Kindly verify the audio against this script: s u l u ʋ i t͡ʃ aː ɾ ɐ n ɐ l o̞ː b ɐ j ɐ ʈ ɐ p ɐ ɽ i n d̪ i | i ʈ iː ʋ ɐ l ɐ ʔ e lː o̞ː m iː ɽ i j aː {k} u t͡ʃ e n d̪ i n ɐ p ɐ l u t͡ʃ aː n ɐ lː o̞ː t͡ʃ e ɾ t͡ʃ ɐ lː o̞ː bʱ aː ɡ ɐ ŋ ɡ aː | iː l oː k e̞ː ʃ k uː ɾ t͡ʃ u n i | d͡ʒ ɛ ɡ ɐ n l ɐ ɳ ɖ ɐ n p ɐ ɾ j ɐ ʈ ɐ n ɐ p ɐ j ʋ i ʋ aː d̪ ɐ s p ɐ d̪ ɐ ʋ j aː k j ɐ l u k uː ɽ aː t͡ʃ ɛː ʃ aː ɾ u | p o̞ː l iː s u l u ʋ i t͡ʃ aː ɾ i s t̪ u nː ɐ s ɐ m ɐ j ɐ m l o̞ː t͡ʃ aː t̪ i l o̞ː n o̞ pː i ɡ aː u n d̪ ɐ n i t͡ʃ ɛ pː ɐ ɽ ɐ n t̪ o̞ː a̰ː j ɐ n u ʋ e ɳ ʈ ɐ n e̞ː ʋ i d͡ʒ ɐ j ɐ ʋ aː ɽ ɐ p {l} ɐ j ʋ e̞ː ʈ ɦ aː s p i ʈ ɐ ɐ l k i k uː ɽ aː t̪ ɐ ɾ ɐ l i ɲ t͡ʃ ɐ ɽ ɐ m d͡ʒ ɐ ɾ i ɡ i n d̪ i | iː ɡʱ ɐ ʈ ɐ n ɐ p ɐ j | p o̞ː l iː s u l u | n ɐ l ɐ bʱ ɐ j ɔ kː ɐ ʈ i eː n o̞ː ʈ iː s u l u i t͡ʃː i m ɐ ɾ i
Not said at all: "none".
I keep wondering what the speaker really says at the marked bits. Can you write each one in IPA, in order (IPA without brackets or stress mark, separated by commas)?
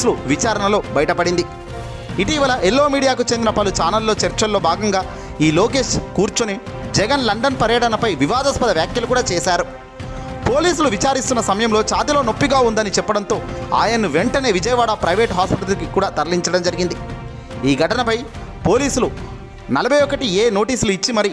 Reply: k, ɾ